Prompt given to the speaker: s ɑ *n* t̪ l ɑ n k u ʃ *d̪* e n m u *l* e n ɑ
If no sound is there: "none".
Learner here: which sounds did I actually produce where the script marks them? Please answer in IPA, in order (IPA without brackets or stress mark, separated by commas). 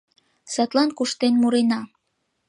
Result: none, t̪, ɾ